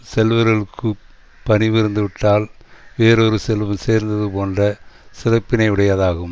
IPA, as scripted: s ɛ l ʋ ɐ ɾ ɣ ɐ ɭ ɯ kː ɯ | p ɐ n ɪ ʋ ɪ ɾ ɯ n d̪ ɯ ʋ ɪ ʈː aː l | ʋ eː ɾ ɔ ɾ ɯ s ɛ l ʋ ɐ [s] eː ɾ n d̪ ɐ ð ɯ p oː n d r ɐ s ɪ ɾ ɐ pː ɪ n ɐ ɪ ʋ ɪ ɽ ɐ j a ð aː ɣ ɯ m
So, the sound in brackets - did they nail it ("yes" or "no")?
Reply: yes